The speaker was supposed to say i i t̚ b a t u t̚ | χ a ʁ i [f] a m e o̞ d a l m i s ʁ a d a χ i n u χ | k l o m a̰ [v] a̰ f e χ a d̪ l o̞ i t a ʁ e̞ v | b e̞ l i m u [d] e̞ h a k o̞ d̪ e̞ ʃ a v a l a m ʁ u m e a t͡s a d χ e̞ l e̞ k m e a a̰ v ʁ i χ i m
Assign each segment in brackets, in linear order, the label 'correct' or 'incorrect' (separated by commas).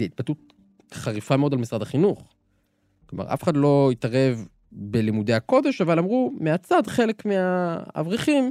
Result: correct, incorrect, correct